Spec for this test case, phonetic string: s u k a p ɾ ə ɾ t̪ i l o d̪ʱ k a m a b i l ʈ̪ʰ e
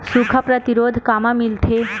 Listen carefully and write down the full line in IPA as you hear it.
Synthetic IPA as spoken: s u kʰ a p ɾ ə t̪ i ɾ o d̪ʱ k a m a m i l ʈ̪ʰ e